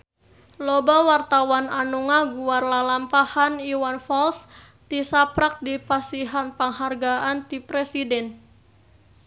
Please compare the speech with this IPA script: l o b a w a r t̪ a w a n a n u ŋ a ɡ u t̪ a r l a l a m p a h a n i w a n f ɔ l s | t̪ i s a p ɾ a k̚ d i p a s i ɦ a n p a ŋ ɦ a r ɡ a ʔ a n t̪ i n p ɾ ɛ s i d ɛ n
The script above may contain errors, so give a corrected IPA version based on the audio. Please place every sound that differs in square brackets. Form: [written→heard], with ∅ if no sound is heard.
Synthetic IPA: l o b a w a r t̪ a w a n a n u ŋ a ɡ u [t̪→∅] a r l a l a m p a h a n i w a n f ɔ l s | t̪ i s a p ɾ a k̚ d i p a s i ɦ a n p a ŋ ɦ a r ɡ a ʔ a n t̪ i [n→∅] p ɾ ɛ s i d ɛ n